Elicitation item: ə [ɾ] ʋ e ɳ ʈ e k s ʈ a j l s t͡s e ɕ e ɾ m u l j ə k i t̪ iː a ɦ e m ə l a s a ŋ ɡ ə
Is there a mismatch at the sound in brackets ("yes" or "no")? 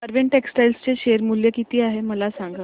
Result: no